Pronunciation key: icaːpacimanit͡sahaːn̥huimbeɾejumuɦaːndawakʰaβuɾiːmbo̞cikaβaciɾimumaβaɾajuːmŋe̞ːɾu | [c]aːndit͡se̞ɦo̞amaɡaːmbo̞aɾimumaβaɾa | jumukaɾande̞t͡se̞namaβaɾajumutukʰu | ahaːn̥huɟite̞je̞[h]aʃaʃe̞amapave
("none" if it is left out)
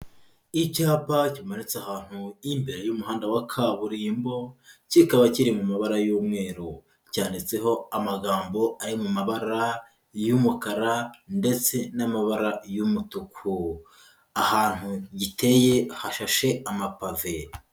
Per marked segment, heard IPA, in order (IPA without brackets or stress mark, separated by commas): c, h